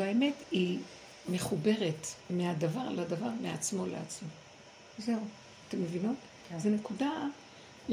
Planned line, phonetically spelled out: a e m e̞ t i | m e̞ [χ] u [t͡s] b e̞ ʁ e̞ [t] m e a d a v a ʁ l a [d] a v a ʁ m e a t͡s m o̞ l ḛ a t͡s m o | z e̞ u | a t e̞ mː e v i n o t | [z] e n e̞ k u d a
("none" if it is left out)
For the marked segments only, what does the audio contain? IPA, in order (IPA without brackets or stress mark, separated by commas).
χ, none, t, d, z